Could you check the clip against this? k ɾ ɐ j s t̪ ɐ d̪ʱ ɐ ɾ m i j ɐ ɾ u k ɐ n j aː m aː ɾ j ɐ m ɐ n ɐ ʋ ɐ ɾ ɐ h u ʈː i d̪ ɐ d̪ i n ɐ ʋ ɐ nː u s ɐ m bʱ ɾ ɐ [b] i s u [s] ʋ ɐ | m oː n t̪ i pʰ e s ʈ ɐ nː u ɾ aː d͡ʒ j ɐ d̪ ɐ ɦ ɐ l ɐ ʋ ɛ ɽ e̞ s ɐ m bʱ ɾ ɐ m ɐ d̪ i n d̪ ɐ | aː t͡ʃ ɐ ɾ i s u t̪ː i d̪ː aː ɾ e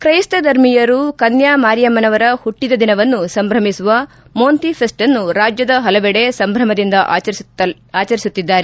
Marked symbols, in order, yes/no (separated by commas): no, no